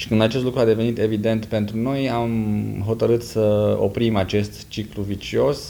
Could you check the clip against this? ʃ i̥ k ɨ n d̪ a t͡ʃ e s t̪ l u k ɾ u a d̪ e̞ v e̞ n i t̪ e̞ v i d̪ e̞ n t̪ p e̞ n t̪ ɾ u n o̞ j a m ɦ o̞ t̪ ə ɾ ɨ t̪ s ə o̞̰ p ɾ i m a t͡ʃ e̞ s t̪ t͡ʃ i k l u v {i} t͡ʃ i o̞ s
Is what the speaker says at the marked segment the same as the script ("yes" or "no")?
yes